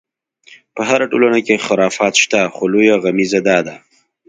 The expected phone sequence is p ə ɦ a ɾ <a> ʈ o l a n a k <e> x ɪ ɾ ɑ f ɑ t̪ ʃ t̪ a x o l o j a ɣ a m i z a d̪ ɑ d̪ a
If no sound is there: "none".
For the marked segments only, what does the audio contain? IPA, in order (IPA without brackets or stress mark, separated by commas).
a, e